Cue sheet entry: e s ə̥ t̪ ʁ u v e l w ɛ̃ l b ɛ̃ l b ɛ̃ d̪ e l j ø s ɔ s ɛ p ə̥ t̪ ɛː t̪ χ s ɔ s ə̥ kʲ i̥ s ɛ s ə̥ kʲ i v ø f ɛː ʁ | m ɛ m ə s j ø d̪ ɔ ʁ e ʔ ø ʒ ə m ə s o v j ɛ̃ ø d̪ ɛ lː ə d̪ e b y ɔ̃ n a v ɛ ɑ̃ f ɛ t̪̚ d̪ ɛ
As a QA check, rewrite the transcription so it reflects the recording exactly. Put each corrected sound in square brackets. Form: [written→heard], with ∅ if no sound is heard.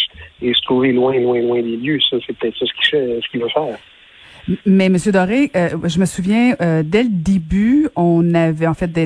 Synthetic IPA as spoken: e s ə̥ t̪ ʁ u v e l w ɛ̃ l [b→w] ɛ̃ l [b→w] ɛ̃ d̪ e l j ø s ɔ s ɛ p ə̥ t̪ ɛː t̪ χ s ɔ s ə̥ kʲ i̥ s ɛ s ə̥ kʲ i v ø f ɛː ʁ | m ɛ m ə s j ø d̪ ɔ ʁ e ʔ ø ʒ ə m ə s [o→u] v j ɛ̃ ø d̪ ɛ [lː→l] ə d̪ e b y ɔ̃ n a v ɛ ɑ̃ f ɛ t̪̚ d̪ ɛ